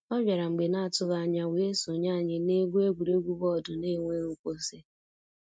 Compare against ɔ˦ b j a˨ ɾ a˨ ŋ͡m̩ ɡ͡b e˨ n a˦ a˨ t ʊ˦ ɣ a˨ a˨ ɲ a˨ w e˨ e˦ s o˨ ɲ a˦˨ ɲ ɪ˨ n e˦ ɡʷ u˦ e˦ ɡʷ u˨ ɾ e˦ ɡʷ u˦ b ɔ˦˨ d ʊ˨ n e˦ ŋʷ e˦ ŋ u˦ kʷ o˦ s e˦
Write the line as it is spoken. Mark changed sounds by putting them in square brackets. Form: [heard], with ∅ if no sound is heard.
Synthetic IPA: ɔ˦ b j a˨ ɾ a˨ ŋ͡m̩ ɡ͡b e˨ n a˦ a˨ t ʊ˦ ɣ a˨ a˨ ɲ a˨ w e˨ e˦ s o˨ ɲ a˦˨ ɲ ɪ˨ n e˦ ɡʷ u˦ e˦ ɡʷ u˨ ɾ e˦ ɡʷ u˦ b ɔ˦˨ d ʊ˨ n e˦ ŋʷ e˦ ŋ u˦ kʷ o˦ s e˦

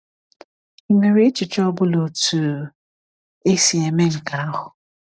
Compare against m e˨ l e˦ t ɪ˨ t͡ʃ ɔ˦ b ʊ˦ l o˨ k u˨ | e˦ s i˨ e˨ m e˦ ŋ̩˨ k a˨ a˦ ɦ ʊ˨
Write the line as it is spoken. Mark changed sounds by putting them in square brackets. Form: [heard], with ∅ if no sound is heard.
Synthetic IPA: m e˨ [ɾ] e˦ [t͡ʃ] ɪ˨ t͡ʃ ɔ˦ b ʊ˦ l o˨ [t] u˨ | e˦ s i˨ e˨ m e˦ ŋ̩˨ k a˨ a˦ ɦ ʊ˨

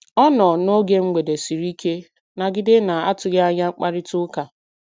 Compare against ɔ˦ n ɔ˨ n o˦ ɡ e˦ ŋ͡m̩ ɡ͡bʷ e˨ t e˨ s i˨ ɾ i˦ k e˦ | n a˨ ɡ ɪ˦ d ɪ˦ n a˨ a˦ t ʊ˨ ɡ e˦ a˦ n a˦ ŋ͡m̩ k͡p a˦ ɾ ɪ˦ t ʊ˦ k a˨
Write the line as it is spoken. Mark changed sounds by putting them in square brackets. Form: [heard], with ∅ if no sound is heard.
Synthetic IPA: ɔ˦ n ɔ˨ n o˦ ɡ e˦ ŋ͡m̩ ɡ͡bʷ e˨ [d] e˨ s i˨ ɾ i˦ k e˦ | n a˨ ɡ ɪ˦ d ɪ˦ n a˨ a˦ t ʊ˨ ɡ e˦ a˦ [ɲ] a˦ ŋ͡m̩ k͡p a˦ ɾ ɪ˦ t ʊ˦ k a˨

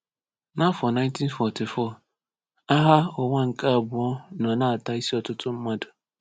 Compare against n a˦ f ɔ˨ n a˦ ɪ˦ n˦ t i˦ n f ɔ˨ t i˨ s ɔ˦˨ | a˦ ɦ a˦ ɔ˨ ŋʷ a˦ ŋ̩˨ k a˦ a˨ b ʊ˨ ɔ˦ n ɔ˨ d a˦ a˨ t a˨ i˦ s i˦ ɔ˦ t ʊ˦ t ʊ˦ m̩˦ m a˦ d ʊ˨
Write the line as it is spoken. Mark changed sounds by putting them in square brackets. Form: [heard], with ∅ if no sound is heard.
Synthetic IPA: n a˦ f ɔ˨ n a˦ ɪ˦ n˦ t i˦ n f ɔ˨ t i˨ [f] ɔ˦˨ | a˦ ɦ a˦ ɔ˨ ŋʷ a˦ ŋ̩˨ k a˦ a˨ b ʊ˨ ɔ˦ n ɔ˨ [n] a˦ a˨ t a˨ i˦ s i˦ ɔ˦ t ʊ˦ t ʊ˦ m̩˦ m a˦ d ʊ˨

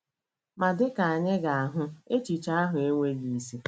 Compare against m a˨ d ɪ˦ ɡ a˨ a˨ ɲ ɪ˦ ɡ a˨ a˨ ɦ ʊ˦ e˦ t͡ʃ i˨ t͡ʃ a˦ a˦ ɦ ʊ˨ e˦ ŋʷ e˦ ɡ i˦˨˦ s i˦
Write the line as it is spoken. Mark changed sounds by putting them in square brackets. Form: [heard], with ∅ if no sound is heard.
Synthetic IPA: m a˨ d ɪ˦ [k] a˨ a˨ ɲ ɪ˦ ɡ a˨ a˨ ɦ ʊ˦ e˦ t͡ʃ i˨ t͡ʃ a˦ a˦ ɦ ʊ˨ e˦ ŋʷ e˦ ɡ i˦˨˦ s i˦

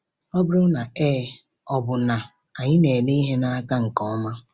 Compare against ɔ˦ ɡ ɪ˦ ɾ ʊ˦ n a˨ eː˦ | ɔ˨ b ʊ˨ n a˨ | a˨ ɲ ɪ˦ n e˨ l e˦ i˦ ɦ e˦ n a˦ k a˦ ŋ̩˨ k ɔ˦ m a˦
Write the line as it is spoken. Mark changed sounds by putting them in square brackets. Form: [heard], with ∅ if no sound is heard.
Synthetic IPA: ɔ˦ [b] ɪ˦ ɾ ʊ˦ n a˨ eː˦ | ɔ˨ b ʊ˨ n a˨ | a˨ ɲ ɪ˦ n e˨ l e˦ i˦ ɦ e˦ n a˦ k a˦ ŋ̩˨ k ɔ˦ m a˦

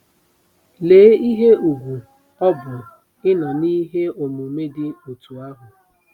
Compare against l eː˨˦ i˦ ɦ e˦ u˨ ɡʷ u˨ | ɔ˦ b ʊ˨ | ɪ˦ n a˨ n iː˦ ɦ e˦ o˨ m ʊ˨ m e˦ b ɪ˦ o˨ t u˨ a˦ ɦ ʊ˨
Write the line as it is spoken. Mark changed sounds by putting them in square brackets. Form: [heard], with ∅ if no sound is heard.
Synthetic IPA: l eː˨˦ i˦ ɦ e˦ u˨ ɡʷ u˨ | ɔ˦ b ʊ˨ | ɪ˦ n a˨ n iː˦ ɦ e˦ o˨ m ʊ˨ m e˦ [d] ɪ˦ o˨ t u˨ a˦ ɦ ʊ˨

